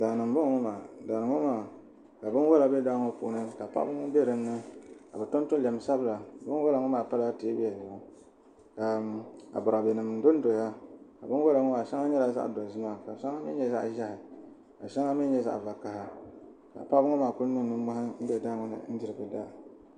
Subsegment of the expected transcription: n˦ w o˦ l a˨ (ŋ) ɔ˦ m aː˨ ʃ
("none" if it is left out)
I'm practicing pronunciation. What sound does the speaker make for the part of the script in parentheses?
ŋ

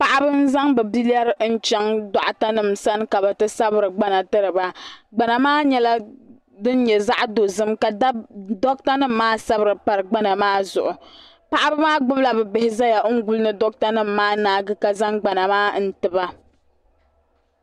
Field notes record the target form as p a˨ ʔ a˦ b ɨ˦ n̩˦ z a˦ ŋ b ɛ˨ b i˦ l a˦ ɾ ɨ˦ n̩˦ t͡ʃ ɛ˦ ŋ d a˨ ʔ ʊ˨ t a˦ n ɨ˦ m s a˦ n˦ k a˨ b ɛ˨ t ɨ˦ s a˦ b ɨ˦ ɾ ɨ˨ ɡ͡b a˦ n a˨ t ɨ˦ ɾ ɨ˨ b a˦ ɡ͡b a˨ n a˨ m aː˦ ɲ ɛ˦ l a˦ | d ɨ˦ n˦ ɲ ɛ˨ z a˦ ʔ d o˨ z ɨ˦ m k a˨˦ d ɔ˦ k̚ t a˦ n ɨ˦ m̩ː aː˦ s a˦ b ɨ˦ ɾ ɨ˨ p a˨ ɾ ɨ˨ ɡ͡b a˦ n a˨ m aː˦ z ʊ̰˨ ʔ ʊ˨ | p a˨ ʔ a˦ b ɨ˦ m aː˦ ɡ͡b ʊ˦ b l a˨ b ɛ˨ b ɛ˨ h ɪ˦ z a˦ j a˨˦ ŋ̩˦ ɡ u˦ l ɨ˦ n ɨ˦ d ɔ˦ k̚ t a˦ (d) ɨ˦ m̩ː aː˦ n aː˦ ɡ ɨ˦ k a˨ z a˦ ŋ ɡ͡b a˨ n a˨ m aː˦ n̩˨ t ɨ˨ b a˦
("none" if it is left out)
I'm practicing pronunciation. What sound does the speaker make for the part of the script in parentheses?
n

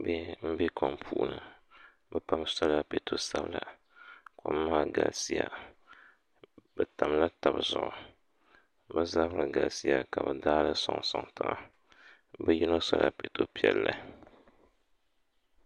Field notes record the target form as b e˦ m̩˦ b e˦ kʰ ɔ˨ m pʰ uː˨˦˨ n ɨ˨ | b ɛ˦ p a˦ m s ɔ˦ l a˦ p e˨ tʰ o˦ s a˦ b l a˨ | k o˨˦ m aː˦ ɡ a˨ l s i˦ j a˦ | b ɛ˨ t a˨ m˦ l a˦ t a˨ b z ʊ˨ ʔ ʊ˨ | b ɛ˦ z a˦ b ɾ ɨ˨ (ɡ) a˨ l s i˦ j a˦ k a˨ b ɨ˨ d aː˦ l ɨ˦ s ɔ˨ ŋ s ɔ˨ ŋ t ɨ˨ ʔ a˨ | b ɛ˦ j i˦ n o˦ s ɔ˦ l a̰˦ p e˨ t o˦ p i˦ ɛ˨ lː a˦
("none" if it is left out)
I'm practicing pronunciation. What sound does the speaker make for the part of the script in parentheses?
ɡ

